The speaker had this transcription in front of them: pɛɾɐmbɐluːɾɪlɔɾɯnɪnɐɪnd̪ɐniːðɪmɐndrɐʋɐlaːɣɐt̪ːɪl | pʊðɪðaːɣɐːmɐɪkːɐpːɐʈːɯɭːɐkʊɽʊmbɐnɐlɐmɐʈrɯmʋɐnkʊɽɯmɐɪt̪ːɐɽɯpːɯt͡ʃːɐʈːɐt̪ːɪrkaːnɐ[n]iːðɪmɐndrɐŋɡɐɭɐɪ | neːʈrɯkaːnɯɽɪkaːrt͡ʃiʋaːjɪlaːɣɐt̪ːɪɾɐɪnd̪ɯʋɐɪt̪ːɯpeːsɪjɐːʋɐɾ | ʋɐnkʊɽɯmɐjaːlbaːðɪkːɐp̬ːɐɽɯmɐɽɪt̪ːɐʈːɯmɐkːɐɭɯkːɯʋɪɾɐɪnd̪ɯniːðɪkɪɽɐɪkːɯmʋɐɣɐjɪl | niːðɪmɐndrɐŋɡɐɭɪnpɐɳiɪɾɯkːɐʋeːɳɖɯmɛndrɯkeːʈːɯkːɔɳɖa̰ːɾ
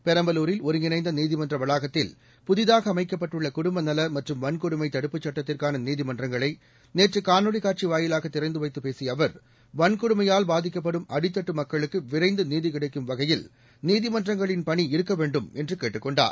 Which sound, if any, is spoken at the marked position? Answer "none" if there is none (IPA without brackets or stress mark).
n